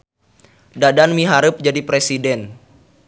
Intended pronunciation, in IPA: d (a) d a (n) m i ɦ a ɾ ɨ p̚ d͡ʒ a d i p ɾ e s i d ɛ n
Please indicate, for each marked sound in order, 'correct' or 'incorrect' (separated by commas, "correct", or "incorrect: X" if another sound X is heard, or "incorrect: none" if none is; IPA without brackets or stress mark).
correct, correct